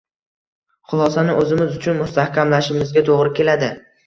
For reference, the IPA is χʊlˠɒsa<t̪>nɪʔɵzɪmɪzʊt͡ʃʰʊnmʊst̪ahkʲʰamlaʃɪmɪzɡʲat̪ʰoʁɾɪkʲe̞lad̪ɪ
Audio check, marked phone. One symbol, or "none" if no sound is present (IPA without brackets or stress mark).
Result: none